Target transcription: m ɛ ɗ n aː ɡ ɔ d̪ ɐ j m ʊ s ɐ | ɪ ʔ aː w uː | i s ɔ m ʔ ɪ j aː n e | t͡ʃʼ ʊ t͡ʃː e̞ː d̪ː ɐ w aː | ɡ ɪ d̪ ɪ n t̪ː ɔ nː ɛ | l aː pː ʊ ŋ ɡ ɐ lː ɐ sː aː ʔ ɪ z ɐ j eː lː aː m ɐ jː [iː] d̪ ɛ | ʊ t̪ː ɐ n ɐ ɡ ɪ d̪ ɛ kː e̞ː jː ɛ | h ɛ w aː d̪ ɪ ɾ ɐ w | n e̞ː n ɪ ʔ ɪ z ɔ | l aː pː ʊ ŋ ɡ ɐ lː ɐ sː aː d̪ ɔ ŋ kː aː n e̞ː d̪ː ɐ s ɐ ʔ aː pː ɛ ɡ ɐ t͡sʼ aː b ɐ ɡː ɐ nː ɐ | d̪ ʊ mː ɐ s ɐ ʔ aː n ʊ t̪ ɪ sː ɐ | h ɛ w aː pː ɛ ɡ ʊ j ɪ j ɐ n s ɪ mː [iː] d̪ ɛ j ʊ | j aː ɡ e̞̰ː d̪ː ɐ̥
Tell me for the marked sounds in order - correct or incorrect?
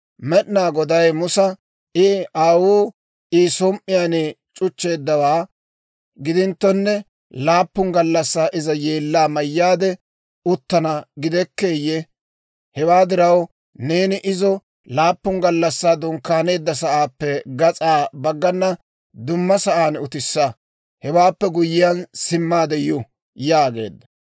incorrect, incorrect

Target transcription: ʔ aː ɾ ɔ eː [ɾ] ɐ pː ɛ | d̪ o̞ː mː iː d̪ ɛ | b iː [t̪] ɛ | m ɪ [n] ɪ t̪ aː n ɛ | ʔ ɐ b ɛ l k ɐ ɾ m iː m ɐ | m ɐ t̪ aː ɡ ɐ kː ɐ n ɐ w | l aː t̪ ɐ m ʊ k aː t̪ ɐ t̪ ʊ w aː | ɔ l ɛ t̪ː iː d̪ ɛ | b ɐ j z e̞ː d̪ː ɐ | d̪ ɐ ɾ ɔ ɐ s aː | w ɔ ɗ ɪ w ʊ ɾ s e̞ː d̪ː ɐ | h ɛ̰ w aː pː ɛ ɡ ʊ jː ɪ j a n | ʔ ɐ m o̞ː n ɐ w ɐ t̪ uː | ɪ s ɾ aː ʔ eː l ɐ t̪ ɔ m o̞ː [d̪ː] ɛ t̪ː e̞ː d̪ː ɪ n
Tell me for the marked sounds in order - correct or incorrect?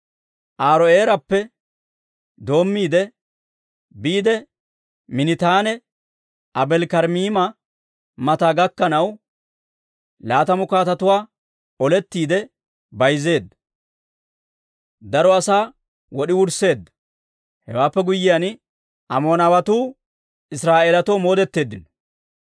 correct, incorrect, correct, incorrect

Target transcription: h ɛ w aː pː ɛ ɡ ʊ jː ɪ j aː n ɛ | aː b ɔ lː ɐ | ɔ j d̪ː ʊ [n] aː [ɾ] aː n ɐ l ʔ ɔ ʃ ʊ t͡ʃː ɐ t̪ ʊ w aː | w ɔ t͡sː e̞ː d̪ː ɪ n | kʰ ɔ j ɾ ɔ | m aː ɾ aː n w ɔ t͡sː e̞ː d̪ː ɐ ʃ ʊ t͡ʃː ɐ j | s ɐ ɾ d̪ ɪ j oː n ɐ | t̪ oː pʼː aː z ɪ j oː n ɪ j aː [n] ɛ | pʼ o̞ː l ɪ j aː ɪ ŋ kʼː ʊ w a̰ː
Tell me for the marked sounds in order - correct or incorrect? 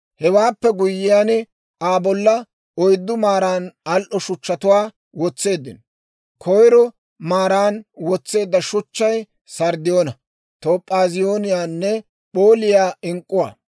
incorrect, correct, incorrect

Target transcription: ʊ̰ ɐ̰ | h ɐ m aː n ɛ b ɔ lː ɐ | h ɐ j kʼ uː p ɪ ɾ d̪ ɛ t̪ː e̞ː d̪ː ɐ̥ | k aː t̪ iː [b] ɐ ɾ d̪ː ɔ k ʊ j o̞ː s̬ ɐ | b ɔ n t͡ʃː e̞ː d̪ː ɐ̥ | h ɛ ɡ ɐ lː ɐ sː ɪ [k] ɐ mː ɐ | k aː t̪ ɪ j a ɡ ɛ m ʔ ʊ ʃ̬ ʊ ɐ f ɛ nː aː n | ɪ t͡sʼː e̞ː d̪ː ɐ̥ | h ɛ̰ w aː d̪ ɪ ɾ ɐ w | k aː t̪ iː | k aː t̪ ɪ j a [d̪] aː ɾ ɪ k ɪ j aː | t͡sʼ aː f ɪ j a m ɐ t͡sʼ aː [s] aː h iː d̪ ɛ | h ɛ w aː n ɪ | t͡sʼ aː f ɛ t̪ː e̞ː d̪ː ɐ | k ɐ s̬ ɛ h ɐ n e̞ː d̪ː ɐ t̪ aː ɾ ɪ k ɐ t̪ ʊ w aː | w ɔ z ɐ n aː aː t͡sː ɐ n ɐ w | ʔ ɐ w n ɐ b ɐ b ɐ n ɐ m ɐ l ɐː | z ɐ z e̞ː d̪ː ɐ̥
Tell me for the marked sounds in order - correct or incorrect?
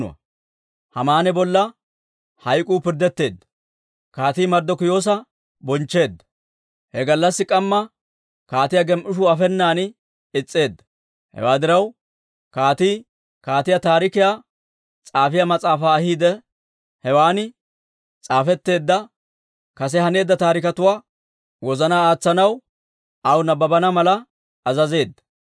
incorrect, incorrect, incorrect, incorrect

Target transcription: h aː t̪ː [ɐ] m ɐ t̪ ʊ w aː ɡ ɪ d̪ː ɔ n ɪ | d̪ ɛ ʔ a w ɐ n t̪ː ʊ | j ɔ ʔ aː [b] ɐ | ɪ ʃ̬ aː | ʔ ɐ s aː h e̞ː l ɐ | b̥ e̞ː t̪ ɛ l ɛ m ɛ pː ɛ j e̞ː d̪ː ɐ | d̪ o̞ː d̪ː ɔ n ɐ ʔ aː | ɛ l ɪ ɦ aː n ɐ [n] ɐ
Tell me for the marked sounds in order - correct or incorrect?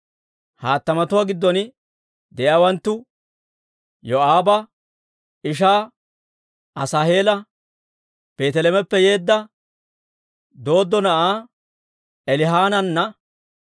correct, correct, incorrect

